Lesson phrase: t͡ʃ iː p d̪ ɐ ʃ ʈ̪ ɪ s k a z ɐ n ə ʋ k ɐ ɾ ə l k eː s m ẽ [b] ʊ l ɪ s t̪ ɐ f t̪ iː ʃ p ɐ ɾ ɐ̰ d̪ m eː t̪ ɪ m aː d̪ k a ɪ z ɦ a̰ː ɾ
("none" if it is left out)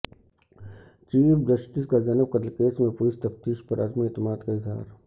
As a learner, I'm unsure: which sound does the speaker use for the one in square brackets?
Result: p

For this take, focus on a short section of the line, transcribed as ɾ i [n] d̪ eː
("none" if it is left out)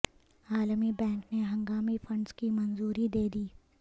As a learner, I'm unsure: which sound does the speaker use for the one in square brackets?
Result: none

